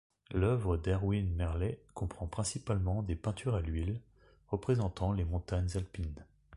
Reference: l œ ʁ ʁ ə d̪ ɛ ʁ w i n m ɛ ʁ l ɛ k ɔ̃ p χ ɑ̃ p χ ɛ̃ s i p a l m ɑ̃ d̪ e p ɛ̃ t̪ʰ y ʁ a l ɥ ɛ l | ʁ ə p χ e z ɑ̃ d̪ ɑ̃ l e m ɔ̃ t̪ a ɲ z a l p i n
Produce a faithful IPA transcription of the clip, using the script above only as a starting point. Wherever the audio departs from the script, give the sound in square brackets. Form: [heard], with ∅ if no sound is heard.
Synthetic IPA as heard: l œ [v] ʁ ə d̪ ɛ ʁ w i n m ɛ ʁ l ɛ k ɔ̃ p χ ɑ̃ p χ ɛ̃ s i p a l m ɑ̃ d̪ e p ɛ̃ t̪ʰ y ʁ a l ɥ [i] l | ʁ ə p χ e z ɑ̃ [t̪] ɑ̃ l e m ɔ̃ t̪ a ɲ z a l p i n